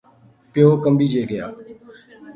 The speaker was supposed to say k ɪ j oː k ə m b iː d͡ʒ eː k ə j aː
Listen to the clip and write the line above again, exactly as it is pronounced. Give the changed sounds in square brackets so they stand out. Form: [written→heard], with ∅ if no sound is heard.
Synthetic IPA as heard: [k→p] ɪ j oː k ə m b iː d͡ʒ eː [k→ɡ] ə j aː